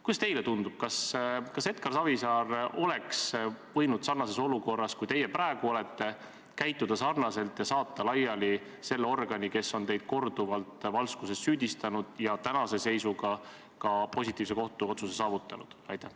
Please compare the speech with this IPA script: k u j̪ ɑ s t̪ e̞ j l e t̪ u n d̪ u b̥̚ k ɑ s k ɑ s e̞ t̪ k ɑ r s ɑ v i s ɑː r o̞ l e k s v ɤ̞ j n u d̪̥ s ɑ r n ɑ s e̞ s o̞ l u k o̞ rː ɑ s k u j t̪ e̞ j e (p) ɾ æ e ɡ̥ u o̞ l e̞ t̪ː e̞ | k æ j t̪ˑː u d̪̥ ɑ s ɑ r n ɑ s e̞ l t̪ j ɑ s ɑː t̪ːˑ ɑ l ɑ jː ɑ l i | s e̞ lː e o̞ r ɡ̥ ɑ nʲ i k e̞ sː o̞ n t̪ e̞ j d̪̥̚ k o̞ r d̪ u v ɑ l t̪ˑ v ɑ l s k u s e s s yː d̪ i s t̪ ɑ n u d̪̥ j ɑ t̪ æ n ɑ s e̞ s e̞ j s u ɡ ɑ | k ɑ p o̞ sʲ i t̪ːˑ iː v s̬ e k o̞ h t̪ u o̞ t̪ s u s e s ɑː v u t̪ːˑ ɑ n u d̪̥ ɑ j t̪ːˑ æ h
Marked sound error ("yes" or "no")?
no